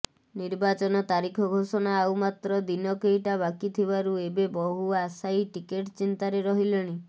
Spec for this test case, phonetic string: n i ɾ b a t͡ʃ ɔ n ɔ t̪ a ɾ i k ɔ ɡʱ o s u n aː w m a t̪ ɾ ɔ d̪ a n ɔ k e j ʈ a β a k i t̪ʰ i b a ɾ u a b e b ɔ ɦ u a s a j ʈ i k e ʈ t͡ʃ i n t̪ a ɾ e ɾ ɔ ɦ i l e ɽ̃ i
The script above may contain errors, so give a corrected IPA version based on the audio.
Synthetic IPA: n i ɾ b a t͡ʃ ɔ n ɔ t̪ a ɾ i kʰ ɔ ɡʱ o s ɔ n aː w m a t̪ ɾ ɔ d̪ i n ɔ k e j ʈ a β a k i t̪ʰ i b a ɾ u e b e b ɔ ɦ u a s a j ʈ i k e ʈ t͡ʃ i n t̪ a ɾ e ɾ ɔ ɦ i l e ɽ̃ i